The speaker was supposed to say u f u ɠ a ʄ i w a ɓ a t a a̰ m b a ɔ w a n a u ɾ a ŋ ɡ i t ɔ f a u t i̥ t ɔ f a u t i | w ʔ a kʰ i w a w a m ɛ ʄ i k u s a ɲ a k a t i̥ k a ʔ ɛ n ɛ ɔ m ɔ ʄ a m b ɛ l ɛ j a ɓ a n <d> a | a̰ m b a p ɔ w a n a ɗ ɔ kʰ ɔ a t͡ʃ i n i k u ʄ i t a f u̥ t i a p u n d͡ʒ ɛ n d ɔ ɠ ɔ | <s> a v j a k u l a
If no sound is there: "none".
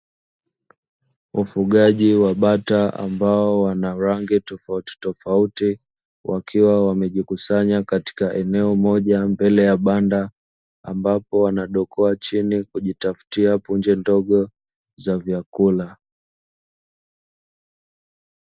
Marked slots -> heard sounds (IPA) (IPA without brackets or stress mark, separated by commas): d, z